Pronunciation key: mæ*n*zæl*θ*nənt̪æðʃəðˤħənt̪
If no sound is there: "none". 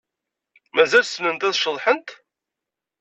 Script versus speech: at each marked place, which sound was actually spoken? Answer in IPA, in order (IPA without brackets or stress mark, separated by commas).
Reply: none, s